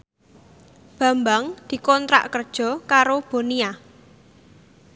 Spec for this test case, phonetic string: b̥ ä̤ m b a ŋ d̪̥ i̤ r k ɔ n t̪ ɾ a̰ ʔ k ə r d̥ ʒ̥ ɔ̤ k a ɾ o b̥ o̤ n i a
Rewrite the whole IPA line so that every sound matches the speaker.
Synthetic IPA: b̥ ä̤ m b a ŋ d̪̥ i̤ k ɔ n t̪ ɾ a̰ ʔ k ə r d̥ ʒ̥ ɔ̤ k a ɾ o b̥ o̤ n i a